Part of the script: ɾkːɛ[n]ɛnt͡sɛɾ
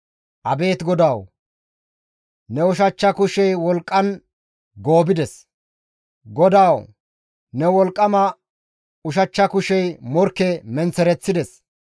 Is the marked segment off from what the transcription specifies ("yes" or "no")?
yes